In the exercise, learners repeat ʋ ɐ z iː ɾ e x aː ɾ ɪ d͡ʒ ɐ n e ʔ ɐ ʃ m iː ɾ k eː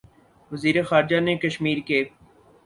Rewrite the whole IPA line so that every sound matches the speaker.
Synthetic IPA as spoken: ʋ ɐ z iː ɾ e x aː ɾ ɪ d͡ʒ a n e k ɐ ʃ m iː ɾ k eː